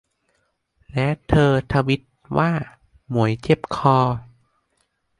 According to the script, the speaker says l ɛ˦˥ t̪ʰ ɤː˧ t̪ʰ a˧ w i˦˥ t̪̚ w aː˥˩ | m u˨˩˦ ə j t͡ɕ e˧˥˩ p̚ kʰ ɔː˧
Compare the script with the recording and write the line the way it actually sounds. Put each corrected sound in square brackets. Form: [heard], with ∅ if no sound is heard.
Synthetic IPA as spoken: l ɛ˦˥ t̪ʰ ɤː˧ t̪ʰ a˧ w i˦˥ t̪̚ w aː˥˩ | m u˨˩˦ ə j t͡ɕ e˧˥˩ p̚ kʰ ɔː˧